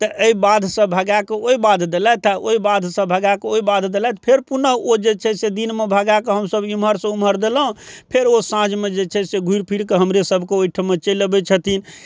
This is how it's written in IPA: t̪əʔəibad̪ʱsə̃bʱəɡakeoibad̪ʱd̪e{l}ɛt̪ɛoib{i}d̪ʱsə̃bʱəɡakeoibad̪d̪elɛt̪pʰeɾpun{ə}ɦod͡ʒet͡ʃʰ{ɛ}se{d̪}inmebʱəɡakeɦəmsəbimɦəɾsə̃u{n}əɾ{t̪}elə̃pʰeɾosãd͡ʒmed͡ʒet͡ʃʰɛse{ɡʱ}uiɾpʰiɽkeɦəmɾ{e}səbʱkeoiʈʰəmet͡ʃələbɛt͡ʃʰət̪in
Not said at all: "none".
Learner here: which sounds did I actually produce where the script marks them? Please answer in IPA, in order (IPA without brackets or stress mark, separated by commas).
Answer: l, a, ə, ɛ, d̪, m, d̪, ɡʱ, e